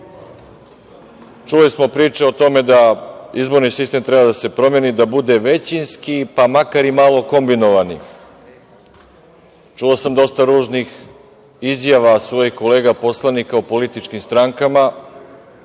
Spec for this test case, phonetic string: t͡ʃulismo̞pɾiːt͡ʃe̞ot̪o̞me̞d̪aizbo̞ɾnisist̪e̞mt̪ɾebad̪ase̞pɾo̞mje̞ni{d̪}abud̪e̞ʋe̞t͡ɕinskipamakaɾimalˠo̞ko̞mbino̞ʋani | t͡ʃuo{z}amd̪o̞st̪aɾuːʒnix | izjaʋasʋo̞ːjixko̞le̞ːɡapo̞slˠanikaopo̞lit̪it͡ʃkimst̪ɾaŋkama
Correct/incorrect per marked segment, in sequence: correct, incorrect: s

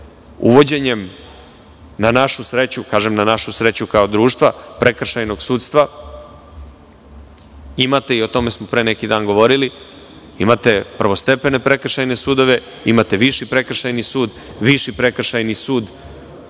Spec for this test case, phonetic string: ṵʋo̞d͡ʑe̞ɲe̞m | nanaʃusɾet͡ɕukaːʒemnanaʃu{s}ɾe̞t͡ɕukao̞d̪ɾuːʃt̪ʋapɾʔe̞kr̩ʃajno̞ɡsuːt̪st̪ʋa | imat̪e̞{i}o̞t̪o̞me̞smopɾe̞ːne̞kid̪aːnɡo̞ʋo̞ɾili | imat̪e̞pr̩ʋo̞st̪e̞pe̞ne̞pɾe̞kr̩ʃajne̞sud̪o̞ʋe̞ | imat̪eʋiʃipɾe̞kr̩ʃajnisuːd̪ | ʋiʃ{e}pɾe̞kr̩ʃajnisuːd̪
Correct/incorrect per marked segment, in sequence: correct, correct, incorrect: i

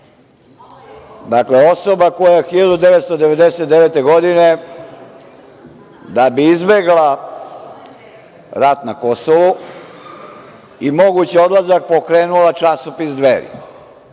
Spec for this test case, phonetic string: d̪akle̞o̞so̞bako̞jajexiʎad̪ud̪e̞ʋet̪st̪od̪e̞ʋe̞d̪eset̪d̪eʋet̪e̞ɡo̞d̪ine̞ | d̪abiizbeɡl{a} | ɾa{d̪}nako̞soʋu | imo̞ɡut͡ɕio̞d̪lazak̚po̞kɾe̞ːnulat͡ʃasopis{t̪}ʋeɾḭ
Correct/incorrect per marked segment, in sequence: correct, incorrect: t̪, incorrect: d̪

